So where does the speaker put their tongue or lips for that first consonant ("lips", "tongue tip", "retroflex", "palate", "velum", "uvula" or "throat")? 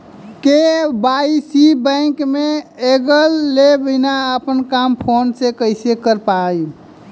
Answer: velum